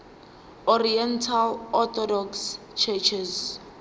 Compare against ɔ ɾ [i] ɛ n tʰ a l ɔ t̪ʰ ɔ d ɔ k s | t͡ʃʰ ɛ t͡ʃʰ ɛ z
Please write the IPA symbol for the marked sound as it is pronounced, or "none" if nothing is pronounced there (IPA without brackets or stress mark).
i